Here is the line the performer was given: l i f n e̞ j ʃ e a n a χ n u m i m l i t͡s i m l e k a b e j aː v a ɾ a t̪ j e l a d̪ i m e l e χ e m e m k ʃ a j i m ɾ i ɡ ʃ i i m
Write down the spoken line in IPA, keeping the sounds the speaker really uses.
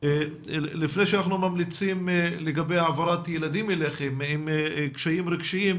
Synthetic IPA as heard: l i f n e̞ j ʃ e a n a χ n u m a m l i t͡s i m l e ɡ a b e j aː v a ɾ a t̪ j e l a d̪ i m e l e χ e m i m k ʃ a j i m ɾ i ɡ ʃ i i m